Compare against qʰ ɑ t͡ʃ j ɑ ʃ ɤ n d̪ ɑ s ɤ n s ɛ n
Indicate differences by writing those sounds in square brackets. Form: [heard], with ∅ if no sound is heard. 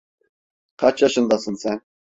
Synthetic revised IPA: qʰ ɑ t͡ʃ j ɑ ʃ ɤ n d̪ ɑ s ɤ n s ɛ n